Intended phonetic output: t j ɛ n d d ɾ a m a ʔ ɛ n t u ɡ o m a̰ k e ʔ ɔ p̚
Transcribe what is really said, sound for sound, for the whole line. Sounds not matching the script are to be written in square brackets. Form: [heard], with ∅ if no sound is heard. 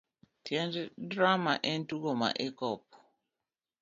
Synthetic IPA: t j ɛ n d d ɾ a m a ʔ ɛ n t u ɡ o m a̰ [ʔ] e [k] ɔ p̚